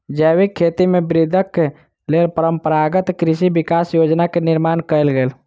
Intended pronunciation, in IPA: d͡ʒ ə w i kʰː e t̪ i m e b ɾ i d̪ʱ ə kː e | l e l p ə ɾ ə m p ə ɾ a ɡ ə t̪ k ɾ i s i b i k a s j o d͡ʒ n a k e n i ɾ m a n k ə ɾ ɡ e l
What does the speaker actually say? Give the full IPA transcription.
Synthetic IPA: d͡ʒ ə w i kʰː e t̪ i m e b ɾ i d̪ʱ ə kː e | l e l p ə ɾ ə m p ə ɾ a ɡ ə t̪ k ɾ i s i b i k a s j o d͡ʒ n a k e n i ɾ m a n k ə l ɡ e l